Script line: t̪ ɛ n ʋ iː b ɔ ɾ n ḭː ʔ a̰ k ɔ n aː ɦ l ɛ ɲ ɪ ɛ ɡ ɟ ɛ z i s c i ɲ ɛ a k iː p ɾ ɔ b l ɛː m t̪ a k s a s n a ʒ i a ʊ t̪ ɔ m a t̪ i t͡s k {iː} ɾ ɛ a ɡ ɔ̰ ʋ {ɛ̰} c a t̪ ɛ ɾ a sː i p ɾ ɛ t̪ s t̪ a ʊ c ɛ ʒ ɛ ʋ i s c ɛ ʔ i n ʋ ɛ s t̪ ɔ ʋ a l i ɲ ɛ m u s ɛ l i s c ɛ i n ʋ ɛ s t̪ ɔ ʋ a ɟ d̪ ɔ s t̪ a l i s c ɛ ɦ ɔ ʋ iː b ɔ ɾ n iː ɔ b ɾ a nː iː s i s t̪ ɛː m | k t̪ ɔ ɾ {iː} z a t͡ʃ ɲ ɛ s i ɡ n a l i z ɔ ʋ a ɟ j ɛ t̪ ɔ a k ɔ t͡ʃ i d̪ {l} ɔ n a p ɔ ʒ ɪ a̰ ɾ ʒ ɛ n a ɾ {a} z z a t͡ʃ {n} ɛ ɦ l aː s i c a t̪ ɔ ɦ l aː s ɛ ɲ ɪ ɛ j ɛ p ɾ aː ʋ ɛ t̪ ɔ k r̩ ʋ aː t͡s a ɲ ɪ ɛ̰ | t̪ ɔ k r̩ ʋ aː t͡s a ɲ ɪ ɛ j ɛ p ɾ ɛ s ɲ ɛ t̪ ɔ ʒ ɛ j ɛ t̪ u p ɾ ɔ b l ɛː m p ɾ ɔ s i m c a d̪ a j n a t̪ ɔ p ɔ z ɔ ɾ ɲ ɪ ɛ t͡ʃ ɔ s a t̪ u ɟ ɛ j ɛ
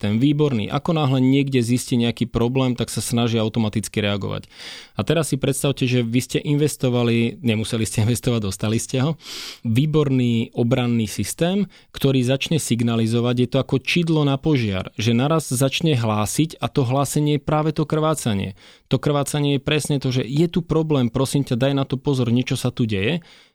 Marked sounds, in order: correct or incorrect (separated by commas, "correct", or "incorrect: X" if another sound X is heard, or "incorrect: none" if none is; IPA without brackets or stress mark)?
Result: incorrect: i, incorrect: a̰, correct, correct, correct, incorrect: ɲ